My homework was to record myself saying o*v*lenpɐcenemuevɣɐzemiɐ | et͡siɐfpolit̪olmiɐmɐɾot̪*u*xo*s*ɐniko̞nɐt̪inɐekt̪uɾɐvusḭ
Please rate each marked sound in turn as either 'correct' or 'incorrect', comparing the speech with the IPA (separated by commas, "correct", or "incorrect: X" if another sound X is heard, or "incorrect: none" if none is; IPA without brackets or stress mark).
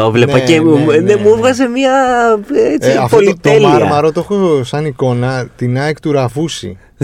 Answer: correct, incorrect: o, correct